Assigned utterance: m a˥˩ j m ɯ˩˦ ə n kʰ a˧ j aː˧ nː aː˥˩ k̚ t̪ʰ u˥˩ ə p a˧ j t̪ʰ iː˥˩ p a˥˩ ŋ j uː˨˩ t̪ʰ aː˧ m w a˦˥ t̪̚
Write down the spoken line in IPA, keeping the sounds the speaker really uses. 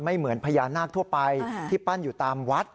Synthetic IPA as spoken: m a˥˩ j m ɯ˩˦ ə n pʰ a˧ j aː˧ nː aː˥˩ k̚ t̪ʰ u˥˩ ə p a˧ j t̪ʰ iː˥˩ p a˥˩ n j uː˨˩ t̪ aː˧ m w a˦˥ t̪̚